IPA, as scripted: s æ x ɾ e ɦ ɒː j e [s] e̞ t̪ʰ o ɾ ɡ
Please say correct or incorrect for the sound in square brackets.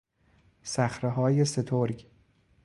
correct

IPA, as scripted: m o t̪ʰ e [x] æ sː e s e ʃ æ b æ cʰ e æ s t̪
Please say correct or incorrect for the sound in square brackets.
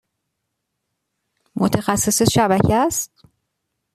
correct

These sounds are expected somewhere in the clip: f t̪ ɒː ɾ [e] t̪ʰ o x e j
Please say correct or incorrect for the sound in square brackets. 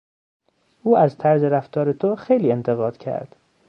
correct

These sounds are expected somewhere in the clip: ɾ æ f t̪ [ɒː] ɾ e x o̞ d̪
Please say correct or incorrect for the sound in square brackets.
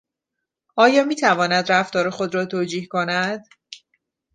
correct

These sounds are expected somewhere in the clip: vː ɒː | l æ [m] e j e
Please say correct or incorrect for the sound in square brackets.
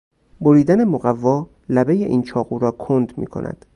incorrect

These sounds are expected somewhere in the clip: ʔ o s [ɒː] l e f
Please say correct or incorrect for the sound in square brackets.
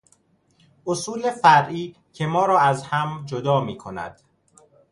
incorrect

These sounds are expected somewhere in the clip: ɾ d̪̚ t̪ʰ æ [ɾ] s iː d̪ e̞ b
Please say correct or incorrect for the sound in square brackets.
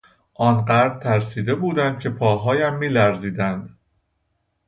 correct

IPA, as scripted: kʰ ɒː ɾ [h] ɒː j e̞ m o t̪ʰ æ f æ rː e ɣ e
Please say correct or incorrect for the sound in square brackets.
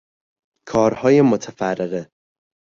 correct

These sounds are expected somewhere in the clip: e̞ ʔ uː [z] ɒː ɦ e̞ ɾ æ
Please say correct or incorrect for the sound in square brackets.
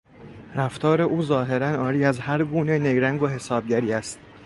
correct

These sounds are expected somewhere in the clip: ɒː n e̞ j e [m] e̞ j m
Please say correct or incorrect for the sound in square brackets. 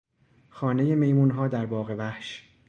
correct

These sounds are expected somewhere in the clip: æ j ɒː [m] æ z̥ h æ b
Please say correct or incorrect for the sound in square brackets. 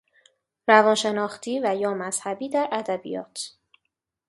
correct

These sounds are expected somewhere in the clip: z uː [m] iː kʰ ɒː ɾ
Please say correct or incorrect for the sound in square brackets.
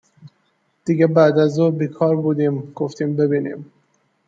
incorrect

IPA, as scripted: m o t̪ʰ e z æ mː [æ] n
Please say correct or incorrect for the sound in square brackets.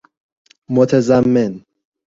incorrect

